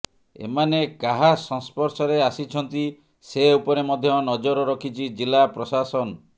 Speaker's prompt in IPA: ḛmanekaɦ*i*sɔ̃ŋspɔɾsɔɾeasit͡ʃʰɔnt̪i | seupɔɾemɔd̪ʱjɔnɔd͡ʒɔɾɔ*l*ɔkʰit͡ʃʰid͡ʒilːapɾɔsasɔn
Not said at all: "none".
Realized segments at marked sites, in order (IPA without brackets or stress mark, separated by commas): a, ɾ